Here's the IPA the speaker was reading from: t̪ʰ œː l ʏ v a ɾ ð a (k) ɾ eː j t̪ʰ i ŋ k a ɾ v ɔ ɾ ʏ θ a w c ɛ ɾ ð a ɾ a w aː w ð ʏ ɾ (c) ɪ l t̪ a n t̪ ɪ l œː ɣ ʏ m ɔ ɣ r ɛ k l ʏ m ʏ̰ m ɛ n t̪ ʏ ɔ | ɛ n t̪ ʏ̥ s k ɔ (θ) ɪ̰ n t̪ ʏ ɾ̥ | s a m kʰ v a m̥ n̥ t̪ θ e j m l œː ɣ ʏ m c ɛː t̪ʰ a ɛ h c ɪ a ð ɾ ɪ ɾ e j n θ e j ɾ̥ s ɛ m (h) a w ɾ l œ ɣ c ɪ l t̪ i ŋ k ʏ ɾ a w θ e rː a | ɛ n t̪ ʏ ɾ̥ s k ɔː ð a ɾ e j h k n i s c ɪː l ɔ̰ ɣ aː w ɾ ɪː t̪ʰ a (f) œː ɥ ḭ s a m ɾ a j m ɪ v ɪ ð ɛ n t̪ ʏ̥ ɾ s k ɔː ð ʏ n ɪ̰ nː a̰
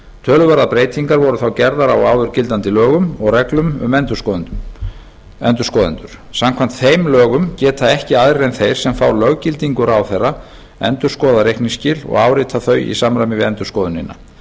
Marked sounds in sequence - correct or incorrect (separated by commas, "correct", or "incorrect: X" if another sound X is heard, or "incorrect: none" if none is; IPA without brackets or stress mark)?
incorrect: p, correct, incorrect: ð, incorrect: f, incorrect: θ